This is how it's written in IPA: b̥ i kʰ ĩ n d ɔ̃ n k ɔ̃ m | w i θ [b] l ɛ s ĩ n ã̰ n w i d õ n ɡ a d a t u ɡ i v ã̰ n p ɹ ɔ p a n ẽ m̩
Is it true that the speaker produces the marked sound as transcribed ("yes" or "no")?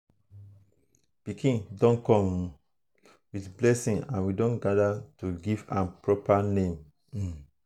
yes